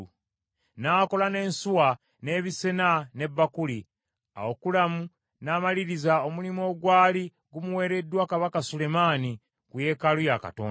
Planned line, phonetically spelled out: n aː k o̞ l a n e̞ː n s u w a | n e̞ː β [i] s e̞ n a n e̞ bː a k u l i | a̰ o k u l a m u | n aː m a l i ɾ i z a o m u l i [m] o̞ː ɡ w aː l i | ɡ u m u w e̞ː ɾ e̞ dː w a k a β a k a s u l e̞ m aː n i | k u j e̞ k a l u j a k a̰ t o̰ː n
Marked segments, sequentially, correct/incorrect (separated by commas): correct, correct